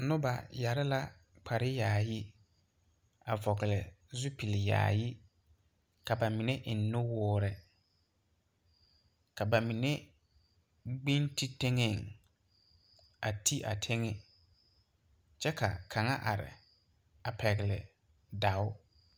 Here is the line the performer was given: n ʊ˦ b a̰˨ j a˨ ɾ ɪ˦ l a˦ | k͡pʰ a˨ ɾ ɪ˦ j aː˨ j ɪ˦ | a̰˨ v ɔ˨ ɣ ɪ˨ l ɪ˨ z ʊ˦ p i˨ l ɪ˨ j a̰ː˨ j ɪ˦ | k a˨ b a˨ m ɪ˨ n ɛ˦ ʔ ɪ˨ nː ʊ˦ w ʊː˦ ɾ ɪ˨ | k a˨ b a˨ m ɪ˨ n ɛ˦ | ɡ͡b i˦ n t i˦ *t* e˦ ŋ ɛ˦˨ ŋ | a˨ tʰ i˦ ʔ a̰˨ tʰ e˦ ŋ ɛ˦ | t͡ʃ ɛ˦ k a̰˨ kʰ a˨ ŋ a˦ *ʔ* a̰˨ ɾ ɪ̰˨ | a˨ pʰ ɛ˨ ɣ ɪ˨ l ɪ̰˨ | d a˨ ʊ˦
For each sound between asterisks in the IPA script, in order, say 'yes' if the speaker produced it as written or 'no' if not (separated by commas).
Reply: yes, yes